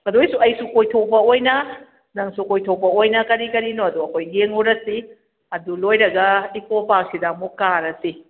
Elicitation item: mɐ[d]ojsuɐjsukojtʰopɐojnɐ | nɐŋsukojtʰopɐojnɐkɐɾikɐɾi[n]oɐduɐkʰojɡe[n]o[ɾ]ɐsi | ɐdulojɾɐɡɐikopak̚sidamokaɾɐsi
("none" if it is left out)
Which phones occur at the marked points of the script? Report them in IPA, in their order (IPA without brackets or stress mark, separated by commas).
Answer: d, n, ŋ, ɾ